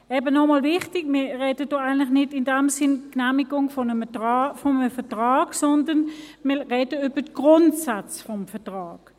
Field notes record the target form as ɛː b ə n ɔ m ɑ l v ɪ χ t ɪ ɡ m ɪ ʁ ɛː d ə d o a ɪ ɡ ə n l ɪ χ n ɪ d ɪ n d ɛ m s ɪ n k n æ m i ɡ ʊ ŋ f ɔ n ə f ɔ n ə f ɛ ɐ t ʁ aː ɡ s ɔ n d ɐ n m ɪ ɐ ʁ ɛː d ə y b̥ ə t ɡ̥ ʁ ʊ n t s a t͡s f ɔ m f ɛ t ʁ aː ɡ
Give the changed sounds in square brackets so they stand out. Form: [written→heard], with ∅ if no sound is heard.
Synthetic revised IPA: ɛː b ə n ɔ m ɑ l v ɪ χ t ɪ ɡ m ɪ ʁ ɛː d ə d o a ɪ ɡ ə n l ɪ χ n ɪ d ɪ n d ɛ m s ɪ n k n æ m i ɡ ʊ ŋ f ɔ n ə f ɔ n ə f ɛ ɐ t ʁ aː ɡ s ɔ n d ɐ n m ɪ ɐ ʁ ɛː d ə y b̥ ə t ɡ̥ ʁ ʊ n t s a t͡s f ɔ m f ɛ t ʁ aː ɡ

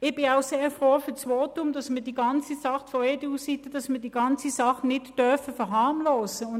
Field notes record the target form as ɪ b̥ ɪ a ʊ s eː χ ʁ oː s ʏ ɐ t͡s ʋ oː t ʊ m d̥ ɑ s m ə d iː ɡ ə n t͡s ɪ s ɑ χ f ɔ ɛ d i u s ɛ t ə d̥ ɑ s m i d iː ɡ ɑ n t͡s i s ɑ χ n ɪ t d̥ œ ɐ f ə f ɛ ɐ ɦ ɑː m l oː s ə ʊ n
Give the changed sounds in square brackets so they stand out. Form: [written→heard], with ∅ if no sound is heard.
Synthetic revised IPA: ɪ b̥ ɪ a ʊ s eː [χ→f] ʁ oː [s→f] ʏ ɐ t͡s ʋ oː t ʊ m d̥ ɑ s m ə d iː ɡ [ə→ɑ] n t͡s [ɪ→i] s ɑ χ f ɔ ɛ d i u s [ɛ→i] t ə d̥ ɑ s m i d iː ɡ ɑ n t͡s i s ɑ χ n ɪ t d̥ œ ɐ f ə f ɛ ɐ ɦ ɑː m l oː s ə ʊ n

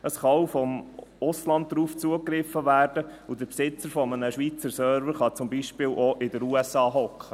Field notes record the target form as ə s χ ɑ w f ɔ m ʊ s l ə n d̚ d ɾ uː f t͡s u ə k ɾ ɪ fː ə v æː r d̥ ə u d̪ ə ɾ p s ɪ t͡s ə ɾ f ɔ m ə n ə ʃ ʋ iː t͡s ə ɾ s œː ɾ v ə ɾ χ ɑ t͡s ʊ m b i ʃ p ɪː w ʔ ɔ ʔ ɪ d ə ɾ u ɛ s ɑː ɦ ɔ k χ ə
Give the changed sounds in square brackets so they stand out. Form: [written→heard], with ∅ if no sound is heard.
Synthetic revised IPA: ə s χ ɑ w f ɔ m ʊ s l [ə→ɑ] n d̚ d ɾ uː f t͡s u ə k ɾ ɪ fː ə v æː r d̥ ə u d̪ ə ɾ p s ɪ t͡s ə ɾ f ɔ m ə n ə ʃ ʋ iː t͡s ə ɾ s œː ɾ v ə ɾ χ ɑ t͡s ʊ m b i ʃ p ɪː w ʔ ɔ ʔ ɪ d ə ɾ u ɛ s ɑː ɦ ɔ k χ ə

